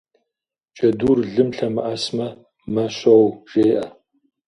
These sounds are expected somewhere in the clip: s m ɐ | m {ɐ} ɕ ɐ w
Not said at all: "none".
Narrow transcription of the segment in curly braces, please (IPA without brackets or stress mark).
ɐ